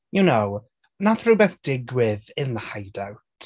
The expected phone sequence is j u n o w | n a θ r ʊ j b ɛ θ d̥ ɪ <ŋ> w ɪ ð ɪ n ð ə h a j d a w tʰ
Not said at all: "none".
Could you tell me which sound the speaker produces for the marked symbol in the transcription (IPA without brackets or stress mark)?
ɡ